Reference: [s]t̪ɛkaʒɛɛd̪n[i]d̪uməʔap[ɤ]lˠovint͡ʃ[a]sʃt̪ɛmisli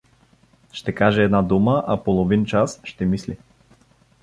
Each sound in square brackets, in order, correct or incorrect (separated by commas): incorrect, incorrect, incorrect, correct